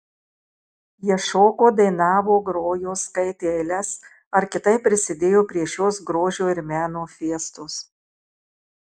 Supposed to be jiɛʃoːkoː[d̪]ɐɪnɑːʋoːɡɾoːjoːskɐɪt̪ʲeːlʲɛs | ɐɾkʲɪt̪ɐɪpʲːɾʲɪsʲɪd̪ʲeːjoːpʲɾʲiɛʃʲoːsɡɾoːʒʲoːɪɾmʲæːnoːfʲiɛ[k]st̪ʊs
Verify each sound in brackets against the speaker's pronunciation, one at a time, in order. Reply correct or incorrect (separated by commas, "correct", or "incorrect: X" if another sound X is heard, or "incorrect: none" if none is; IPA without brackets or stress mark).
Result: correct, incorrect: none